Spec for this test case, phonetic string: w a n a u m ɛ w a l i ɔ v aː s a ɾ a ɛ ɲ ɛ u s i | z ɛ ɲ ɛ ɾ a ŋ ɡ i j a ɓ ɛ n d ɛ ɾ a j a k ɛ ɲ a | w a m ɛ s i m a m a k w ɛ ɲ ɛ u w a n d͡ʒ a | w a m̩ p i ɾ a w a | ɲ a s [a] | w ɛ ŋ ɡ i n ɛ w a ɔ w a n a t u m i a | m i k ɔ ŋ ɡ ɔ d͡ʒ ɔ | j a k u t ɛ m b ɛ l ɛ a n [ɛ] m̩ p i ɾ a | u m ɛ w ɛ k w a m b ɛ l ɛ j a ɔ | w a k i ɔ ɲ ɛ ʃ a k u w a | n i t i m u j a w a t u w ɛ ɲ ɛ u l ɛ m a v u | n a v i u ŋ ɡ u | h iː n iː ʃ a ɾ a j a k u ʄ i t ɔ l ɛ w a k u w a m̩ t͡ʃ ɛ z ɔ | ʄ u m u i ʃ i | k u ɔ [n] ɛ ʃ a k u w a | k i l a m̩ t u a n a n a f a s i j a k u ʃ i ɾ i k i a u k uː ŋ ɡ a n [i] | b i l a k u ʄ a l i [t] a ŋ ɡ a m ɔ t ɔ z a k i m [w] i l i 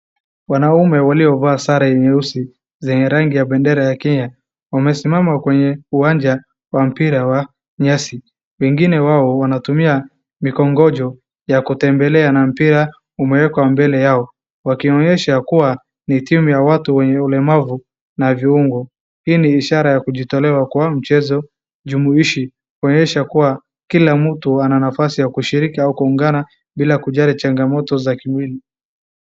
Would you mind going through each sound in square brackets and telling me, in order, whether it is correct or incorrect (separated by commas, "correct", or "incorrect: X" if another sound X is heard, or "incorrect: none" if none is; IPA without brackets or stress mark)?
incorrect: i, incorrect: a, incorrect: ɲ, incorrect: a, incorrect: t͡ʃ, correct